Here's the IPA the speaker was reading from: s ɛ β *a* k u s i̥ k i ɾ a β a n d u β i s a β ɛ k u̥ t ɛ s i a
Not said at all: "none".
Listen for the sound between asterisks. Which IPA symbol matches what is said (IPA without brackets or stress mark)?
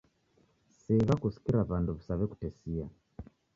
a